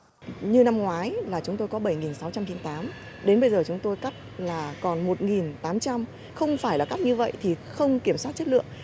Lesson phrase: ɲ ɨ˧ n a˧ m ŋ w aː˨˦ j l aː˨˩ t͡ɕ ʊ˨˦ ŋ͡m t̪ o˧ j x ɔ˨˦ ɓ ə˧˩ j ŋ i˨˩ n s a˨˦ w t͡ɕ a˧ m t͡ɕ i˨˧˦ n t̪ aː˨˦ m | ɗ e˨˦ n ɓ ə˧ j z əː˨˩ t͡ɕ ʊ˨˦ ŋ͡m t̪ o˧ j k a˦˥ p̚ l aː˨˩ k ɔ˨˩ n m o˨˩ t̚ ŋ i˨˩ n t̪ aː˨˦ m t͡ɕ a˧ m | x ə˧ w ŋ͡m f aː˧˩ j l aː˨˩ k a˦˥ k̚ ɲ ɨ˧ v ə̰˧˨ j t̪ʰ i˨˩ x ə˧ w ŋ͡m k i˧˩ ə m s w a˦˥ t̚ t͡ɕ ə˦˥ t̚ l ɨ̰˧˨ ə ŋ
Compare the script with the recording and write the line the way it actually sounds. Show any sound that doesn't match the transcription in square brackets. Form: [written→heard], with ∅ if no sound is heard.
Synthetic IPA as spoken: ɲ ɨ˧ n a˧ m ŋ w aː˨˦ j l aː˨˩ t͡ɕ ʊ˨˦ ŋ͡m t̪ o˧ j [x→k] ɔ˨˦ ɓ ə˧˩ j ŋ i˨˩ n s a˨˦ w t͡ɕ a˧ m t͡ɕ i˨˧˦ n t̪ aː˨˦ m | ɗ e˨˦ n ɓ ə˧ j z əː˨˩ t͡ɕ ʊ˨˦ ŋ͡m t̪ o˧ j k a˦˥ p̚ l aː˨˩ k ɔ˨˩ n m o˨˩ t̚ ŋ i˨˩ n t̪ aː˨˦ m t͡ɕ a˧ m | x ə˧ w ŋ͡m f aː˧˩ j l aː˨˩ k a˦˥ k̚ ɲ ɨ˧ v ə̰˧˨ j t̪ʰ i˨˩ x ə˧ w ŋ͡m k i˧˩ ə m s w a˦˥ t̚ t͡ɕ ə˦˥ t̚ l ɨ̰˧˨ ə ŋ

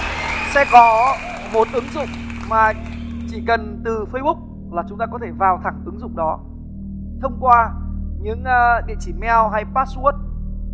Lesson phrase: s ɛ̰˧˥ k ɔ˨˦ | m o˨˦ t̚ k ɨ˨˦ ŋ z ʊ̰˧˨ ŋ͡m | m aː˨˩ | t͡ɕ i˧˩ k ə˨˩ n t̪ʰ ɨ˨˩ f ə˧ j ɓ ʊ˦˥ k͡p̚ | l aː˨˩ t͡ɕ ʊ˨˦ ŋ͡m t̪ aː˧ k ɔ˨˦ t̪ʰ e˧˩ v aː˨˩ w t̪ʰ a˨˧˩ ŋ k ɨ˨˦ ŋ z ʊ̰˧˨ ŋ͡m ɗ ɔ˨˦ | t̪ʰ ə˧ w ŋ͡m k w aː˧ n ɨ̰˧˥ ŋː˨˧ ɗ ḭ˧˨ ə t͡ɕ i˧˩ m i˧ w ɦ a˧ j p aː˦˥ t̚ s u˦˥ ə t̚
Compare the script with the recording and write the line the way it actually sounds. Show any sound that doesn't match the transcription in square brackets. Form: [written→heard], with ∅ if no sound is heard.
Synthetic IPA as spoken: s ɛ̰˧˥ k ɔ˨˦ | m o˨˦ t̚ [k→ʔ] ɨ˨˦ ŋ z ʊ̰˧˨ ŋ͡m | m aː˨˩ | t͡ɕ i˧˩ k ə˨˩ n [t̪ʰ→t̪] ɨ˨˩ f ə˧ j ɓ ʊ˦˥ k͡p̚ | l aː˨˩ t͡ɕ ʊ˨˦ ŋ͡m t̪ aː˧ k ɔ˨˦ t̪ʰ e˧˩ v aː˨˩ w t̪ʰ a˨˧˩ ŋ [k→ʔ] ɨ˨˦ ŋ z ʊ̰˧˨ ŋ͡m ɗ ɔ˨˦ | t̪ʰ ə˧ w ŋ͡m k w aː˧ [n→ɲ] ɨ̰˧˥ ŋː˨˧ ɗ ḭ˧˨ ə t͡ɕ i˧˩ m [i˧→ɛ˧] w ɦ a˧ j p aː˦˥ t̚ s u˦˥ ə t̚

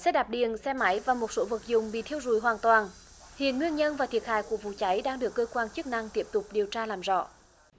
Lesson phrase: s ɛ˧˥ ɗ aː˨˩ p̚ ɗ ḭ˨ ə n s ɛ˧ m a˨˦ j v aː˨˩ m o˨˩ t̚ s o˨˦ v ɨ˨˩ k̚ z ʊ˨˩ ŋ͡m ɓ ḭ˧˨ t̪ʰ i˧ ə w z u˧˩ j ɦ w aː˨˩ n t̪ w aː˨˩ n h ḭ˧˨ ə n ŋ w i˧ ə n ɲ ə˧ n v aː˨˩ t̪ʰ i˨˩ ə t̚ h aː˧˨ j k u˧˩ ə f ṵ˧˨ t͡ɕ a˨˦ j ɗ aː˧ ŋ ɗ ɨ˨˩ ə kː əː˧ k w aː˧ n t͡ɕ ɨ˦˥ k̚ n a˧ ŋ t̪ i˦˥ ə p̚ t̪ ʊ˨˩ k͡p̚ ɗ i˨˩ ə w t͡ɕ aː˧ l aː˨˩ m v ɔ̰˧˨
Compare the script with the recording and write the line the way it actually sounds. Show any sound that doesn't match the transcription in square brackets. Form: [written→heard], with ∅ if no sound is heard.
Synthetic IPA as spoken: s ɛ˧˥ ɗ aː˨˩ p̚ ɗ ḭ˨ ə n s ɛ˧ m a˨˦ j v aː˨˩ m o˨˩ t̚ s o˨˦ v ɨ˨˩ k̚ z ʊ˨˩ ŋ͡m ɓ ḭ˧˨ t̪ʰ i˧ ə w z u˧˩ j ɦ w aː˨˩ n t̪ w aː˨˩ n h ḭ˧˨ ə n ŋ w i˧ ə n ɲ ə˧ n v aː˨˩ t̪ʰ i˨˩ ə t̚ h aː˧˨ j k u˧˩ ə [f→v] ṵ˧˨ t͡ɕ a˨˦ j ɗ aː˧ ŋ ɗ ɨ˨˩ ə kː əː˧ k w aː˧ n t͡ɕ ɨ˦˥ k̚ n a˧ ŋ t̪ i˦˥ ə p̚ t̪ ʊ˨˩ k͡p̚ ɗ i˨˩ ə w t͡ɕ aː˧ l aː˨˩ m [v→z] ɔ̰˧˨

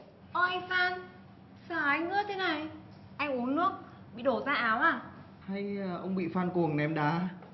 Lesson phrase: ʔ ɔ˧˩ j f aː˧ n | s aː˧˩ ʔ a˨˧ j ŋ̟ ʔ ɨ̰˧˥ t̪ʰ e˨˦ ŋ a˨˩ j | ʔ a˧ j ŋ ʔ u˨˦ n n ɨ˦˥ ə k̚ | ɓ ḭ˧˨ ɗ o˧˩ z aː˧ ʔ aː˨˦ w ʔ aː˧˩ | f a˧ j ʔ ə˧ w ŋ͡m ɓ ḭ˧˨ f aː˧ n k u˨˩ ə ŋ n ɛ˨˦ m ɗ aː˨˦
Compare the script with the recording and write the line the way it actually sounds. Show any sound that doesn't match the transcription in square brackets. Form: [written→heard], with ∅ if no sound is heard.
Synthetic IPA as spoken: ʔ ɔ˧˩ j f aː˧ n | s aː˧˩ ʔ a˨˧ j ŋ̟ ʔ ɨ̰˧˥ t̪ʰ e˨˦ [ŋ→n] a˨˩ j | ʔ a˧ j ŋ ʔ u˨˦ n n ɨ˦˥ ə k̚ | ɓ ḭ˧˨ ɗ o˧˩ z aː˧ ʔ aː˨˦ w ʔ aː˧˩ | [f→h] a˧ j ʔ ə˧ w ŋ͡m ɓ ḭ˧˨ f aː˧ n k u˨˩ ə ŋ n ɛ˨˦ m ɗ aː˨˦

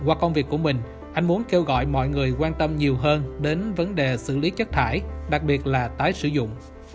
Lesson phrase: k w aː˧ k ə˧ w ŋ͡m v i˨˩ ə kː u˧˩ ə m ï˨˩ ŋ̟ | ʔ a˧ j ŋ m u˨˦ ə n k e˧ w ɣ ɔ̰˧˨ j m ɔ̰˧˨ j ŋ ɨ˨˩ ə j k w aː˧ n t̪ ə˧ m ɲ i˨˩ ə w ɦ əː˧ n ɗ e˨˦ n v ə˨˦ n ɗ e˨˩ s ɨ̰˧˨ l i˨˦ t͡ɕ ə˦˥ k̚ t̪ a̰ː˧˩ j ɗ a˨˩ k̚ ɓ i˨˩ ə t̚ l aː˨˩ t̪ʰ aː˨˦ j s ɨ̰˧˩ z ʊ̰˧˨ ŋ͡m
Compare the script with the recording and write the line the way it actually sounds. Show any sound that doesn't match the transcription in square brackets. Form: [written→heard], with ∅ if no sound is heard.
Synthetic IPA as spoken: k w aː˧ k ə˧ w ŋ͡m v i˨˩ ə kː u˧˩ ə m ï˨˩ ŋ̟ | ʔ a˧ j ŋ m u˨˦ ə n k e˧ w ɣ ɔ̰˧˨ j m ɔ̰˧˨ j ŋ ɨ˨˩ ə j k w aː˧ n t̪ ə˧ m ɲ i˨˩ ə w ɦ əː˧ n ɗ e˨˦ n v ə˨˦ n ɗ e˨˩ s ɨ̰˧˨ l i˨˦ t͡ɕ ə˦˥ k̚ [t̪→t̪ʰ] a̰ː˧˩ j ɗ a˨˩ k̚ ɓ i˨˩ ə t̚ l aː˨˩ [t̪ʰ→t̪] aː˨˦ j s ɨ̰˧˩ z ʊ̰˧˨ ŋ͡m

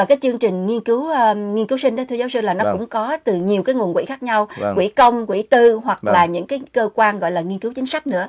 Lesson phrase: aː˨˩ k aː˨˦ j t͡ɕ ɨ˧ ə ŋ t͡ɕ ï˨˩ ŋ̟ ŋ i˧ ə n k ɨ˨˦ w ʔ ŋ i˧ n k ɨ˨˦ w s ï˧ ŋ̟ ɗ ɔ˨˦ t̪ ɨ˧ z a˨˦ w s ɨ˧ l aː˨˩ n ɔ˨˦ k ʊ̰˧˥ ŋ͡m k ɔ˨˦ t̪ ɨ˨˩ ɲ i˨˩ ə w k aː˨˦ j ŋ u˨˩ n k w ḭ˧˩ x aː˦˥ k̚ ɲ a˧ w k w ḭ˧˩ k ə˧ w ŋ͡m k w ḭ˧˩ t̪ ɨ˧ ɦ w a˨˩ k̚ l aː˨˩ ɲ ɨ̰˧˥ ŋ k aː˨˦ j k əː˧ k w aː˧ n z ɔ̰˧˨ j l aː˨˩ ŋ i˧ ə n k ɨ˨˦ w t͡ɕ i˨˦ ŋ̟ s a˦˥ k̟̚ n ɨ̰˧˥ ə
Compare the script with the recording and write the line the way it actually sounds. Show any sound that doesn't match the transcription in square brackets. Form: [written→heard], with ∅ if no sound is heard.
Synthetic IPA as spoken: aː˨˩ k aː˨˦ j t͡ɕ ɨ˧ ə ŋ t͡ɕ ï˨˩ ŋ̟ ŋ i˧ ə n k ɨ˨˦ w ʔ ŋ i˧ n k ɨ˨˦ w s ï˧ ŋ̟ ɗ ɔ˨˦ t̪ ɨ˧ z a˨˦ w s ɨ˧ l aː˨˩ n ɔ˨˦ k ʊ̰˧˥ ŋ͡m k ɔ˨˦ t̪ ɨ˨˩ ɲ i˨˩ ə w k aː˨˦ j ŋ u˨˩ n k w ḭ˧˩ x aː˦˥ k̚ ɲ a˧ w k w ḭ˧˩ k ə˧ w ŋ͡m k w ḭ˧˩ t̪ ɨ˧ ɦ w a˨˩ k̚ l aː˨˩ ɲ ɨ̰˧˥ ŋ k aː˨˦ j k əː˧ k w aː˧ n [z→ɣ] ɔ̰˧˨ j l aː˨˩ ŋ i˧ ə n k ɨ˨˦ w t͡ɕ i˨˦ ŋ̟ s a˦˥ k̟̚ n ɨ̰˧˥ ə

